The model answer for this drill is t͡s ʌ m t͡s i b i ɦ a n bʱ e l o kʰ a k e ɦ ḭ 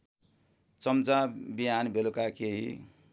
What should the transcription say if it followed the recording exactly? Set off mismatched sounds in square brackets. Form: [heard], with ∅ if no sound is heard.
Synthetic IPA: t͡s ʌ m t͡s [a] b i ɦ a n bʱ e l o [k] a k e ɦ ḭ